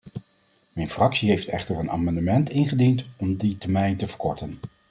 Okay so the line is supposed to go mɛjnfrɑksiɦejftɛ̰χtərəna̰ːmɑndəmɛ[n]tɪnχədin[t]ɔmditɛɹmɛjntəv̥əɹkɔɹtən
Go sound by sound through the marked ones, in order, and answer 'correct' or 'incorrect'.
correct, correct

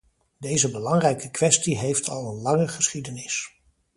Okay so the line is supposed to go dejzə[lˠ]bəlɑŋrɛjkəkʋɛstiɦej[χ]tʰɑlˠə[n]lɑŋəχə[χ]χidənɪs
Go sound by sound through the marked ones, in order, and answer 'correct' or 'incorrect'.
incorrect: none, incorrect: f, correct, incorrect: s

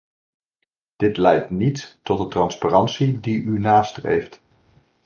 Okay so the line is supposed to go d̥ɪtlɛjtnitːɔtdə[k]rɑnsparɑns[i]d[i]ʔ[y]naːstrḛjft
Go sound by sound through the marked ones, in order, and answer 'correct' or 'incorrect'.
incorrect: t, correct, correct, correct

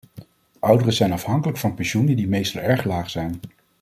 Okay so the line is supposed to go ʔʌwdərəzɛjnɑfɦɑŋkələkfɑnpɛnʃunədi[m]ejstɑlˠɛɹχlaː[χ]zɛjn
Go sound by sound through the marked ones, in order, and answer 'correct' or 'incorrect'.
correct, correct

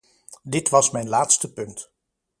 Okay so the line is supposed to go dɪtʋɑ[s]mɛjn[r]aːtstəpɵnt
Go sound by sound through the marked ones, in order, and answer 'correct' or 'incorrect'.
correct, incorrect: l

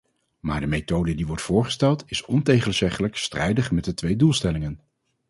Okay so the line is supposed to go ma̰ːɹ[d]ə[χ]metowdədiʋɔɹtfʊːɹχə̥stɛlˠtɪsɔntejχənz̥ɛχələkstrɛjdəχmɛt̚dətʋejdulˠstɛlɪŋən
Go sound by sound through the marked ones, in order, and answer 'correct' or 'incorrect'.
correct, incorrect: none

